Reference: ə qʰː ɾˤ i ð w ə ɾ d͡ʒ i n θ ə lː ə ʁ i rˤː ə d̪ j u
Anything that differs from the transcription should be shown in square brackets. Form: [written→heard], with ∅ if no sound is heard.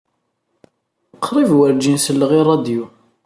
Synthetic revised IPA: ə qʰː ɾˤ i [ð→v] w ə ɾ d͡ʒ i n [θ→s] ə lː ə ʁ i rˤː [ə→ɑ] d̪ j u